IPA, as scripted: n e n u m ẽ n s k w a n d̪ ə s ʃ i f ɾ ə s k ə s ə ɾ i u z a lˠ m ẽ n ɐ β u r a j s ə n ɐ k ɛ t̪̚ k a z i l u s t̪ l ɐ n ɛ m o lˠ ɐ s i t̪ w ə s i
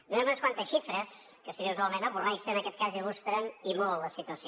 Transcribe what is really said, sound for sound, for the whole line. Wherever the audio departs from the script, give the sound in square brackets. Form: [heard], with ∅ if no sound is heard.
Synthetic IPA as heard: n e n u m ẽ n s k w a n [t̪] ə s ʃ i f ɾ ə s k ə s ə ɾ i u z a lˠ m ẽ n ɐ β u r a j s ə n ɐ k ɛ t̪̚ k a z i l u s t̪ [ɾ] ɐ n [i] m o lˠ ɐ s i t̪ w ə s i